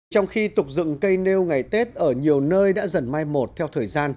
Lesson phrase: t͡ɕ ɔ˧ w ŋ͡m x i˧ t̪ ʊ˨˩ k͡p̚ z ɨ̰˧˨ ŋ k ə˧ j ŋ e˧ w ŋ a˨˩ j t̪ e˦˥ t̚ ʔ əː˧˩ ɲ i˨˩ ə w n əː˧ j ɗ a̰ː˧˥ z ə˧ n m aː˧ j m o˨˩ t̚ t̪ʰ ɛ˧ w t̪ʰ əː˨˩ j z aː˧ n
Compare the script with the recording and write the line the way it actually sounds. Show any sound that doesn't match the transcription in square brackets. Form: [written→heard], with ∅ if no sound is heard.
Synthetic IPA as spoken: t͡ɕ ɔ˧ w ŋ͡m x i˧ t̪ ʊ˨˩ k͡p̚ z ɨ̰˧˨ ŋ k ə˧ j [ŋ→n] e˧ w ŋ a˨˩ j t̪ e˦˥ t̚ ʔ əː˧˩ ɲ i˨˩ ə w n əː˧ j ɗ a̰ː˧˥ z [ə˧→ə˨˩] n m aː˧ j m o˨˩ t̚ t̪ʰ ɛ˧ w t̪ʰ əː˨˩ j z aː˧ n

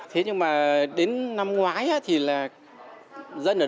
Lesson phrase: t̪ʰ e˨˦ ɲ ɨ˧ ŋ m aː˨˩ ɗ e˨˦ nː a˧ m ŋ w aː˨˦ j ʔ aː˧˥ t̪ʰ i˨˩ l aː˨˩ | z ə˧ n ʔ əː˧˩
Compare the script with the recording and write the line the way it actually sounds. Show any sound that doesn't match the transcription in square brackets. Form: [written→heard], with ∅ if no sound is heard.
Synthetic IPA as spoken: t̪ʰ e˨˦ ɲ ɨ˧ ŋ m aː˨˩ ɗ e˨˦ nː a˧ m ŋ w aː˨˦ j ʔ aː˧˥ t̪ʰ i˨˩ l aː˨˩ | z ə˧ n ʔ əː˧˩

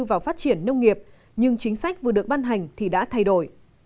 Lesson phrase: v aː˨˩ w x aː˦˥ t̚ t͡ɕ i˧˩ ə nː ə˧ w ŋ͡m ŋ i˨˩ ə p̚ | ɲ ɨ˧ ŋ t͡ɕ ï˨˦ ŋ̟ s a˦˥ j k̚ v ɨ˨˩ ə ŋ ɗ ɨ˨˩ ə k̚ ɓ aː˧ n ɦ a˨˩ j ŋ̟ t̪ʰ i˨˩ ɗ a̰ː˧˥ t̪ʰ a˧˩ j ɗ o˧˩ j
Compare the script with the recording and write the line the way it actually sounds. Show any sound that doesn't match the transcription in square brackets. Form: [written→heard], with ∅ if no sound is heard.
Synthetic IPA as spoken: v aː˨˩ w [x→f] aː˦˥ t̚ t͡ɕ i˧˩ ə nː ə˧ w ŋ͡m ŋ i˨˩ ə p̚ | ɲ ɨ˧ ŋ t͡ɕ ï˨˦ ŋ̟ s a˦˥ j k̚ v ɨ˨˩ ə [ŋ→∅] ɗ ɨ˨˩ ə k̚ ɓ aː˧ n ɦ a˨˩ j ŋ̟ t̪ʰ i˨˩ ɗ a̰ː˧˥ t̪ʰ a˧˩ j ɗ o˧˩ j

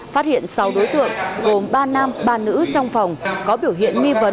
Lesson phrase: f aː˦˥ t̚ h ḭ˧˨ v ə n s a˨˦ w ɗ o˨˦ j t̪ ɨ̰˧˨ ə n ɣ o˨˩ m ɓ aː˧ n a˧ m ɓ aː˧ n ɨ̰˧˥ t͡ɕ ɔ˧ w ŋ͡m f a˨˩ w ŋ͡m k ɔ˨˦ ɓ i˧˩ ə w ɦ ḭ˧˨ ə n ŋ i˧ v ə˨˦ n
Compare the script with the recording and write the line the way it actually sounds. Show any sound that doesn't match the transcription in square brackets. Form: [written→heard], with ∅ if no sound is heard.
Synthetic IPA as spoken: f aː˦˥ t̚ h ḭ˧˨ [v→∅] ə n s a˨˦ w ɗ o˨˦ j t̪ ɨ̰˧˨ ə [n→ŋ] ɣ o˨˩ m ɓ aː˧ n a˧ m ɓ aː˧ n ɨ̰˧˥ t͡ɕ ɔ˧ w ŋ͡m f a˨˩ w ŋ͡m k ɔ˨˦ ɓ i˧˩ ə w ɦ ḭ˧˨ ə n ŋ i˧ v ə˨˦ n

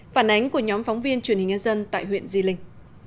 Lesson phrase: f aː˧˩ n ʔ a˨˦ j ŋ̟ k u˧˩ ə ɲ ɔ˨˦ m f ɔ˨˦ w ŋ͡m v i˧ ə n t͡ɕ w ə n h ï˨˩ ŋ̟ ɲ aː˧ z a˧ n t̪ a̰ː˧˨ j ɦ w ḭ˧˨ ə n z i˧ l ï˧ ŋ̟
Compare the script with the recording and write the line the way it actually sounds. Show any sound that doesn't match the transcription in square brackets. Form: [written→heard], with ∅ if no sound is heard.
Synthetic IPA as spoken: f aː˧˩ n ʔ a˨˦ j ŋ̟ k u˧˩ ə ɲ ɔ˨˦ m f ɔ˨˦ w ŋ͡m v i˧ ə n t͡ɕ w ə n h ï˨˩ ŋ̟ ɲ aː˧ z [a˧→ə˧] n t̪ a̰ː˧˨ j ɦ w ḭ˧˨ ə n z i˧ l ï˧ ŋ̟

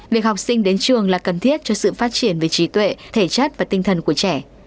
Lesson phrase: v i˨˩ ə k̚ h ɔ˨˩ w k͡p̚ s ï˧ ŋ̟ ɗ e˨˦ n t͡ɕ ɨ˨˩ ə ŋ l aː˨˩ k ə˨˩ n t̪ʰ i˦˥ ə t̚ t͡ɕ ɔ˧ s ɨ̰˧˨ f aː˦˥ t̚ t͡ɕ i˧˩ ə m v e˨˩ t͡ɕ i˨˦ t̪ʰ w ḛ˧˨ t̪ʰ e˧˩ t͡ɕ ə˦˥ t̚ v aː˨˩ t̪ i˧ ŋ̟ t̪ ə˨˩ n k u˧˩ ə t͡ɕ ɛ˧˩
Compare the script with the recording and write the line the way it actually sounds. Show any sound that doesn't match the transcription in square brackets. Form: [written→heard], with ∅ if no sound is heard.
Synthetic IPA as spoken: v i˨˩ ə k̚ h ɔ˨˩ w k͡p̚ s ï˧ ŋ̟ ɗ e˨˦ n t͡ɕ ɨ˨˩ ə ŋ l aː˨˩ k ə˨˩ n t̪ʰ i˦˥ ə t̚ t͡ɕ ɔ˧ s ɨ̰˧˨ f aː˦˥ t̚ t͡ɕ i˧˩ ə [m→n] v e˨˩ t͡ɕ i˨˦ [t̪ʰ→t̪] w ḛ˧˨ t̪ʰ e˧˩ t͡ɕ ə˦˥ t̚ v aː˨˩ t̪ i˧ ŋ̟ [t̪→t̪ʰ] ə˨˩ n k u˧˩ ə t͡ɕ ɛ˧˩

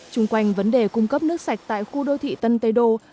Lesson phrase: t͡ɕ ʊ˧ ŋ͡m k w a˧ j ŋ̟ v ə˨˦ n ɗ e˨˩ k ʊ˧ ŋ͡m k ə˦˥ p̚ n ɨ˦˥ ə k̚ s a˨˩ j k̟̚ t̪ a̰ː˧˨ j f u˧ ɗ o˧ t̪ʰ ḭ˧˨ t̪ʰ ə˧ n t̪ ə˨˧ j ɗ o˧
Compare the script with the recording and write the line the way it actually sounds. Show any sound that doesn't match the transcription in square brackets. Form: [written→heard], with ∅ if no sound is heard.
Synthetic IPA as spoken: t͡ɕ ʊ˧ ŋ͡m k w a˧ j ŋ̟ v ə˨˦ n ɗ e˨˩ k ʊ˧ ŋ͡m k ə˦˥ p̚ n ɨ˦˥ ə k̚ s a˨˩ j k̟̚ t̪ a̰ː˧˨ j [f→x] u˧ ɗ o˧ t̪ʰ ḭ˧˨ [t̪ʰ→t̪] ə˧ n t̪ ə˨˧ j ɗ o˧

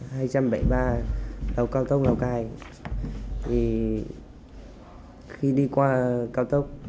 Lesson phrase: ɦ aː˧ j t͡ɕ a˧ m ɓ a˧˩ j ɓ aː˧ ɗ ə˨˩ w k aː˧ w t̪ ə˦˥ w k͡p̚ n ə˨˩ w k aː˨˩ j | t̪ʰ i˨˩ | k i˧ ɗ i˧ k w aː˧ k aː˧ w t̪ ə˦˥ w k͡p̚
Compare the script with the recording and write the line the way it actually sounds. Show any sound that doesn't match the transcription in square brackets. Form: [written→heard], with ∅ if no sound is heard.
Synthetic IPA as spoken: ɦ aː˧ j t͡ɕ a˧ m ɓ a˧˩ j ɓ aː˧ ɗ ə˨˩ w k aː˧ w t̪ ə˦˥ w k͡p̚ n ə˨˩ w k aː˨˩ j | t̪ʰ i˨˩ | [k→x] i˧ ɗ i˧ k w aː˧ k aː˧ w t̪ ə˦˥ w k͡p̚

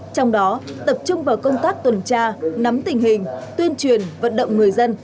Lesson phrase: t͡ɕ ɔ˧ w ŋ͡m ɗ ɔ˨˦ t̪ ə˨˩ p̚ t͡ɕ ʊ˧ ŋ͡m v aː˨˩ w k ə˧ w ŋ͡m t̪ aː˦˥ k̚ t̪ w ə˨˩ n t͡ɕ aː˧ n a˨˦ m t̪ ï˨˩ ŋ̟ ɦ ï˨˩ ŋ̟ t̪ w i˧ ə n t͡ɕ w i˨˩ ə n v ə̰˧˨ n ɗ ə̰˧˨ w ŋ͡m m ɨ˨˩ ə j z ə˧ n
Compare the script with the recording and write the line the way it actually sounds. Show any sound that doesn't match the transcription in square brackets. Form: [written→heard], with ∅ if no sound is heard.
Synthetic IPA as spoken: t͡ɕ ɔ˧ w ŋ͡m ɗ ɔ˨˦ t̪ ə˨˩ p̚ t͡ɕ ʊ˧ ŋ͡m v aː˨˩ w k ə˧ w ŋ͡m t̪ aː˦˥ k̚ t̪ w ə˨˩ n t͡ɕ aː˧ n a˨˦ m t̪ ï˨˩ ŋ̟ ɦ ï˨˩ ŋ̟ t̪ w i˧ ə n t͡ɕ w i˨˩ ə n v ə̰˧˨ n ɗ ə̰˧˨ w ŋ͡m [m→ŋ] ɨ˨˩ ə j z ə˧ n

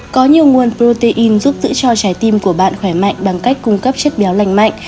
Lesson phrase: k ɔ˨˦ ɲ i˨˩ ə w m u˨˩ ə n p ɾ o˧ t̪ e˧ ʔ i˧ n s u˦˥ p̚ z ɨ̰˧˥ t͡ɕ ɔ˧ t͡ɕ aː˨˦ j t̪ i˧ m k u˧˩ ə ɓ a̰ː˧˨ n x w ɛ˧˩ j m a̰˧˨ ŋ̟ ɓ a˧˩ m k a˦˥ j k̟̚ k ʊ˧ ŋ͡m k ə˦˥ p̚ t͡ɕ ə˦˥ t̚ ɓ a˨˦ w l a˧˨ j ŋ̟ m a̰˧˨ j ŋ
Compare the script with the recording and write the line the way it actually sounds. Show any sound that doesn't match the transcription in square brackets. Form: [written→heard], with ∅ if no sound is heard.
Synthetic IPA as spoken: k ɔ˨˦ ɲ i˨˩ ə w [m→ŋ] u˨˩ ə n p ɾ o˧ t̪ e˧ ʔ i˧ n [s→z] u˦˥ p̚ z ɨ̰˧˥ t͡ɕ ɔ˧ t͡ɕ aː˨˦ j t̪ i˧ m k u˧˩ ə ɓ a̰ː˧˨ n x w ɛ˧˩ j m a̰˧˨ ŋ̟ ɓ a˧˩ [m→ŋ] k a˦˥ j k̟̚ k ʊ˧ ŋ͡m k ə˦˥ p̚ t͡ɕ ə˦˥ t̚ ɓ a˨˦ w l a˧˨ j ŋ̟ m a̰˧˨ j ŋ

